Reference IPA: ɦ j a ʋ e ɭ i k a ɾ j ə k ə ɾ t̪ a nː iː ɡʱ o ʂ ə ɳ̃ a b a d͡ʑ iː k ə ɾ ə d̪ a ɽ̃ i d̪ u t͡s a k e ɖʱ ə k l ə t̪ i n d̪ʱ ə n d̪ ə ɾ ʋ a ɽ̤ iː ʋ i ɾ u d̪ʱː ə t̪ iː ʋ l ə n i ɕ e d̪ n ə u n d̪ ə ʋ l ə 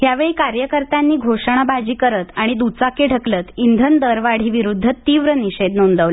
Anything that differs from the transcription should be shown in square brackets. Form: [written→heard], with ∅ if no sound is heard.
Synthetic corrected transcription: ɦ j a ʋ e ɭ i k a ɾ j ə k ə ɾ t̪ a nː iː ɡʱ o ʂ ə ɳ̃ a b a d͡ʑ iː k ə ɾ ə [d̪→t̪] a ɽ̃ i d̪ u t͡s a k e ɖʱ ə k l ə t̪ i n d̪ʱ ə n d̪ ə ɾ ʋ a ɽ̤ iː ʋ i ɾ u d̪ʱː ə t̪ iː ʋ [l→ɾ] ə n i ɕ e d̪ n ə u n d̪ ə ʋ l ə